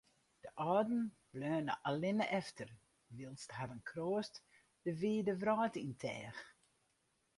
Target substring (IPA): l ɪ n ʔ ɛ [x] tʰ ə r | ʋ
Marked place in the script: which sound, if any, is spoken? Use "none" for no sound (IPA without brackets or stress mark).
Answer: f